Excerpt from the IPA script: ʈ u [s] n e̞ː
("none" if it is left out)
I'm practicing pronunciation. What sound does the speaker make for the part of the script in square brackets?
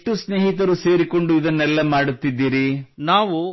s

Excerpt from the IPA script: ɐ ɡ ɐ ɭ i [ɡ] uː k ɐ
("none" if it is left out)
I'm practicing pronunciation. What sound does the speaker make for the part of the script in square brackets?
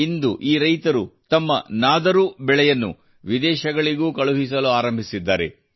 ɡ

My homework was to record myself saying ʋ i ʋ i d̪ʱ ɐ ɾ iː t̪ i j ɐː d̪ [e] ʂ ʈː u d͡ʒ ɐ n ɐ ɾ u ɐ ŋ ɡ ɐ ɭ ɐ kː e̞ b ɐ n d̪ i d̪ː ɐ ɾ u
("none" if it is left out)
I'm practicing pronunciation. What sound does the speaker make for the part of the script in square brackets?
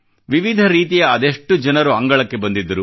e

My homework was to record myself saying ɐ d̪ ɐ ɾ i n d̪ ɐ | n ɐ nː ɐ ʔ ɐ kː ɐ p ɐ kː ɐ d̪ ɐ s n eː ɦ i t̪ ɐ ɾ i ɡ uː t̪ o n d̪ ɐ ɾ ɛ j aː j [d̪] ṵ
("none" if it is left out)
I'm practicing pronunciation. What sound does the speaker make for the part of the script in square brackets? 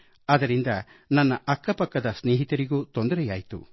t̪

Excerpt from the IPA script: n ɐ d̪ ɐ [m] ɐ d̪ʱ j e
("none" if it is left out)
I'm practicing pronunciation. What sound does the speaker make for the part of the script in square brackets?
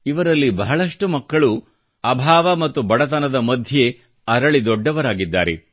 m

